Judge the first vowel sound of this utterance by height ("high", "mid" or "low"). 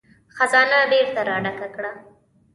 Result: low